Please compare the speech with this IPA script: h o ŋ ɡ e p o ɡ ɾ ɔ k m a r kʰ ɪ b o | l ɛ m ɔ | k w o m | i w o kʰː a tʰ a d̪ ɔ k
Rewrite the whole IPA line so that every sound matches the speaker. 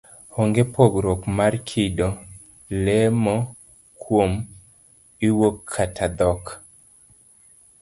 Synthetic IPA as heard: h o ŋ ɡ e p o ɡ ɾ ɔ k m a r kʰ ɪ d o | l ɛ m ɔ | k w o m | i w o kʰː a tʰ a d̪ ɔ k